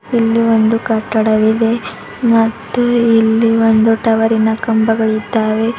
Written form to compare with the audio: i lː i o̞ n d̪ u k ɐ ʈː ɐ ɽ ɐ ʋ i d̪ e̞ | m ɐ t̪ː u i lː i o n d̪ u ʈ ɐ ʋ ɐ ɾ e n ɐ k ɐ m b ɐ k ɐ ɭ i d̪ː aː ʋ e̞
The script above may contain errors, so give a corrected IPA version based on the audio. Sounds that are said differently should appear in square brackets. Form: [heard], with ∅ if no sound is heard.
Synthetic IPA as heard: i lː i o̞ n d̪ u k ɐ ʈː ɐ ɽ ɐ ʋ i d̪ e̞ | m ɐ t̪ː u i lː i o n d̪ u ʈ ɐ ʋ ɐ ɾ [i] n ɐ k ɐ m b ɐ [ɡ] ɐ ɭ i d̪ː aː ʋ e̞